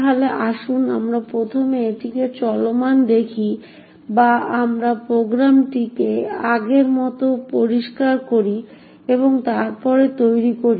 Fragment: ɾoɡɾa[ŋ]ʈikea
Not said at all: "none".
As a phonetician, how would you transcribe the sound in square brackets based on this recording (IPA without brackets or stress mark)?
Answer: m